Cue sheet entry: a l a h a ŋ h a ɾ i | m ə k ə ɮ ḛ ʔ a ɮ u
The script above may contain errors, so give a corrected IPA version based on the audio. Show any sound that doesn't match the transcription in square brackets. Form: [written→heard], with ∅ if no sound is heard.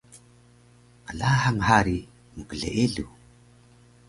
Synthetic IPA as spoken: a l a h a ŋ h a ɾ i | m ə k ə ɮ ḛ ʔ [a→e] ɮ u